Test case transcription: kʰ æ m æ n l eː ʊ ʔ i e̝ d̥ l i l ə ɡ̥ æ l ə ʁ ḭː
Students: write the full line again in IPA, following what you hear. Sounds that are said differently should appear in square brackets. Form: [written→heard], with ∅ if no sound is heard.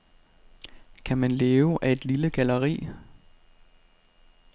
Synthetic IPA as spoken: kʰ æ m æ n l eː ʊ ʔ [i→æ] e̝ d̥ l i l ə ɡ̥ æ l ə ʁ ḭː